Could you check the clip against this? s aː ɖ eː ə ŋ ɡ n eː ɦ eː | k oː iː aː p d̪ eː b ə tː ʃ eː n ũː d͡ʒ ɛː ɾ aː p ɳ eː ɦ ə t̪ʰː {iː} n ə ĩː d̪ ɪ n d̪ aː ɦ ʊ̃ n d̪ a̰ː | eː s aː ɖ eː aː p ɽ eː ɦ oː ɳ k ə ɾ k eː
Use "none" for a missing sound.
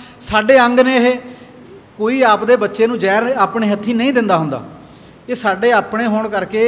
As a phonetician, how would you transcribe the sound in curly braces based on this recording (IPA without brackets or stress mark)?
iː